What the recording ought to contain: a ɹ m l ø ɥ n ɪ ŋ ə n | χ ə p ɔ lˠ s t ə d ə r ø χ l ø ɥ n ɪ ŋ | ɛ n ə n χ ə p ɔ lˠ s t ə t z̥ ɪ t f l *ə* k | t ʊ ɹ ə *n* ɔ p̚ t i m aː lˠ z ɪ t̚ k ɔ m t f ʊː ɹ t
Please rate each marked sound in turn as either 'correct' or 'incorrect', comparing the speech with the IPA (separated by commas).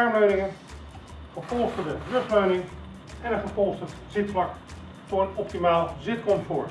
incorrect, correct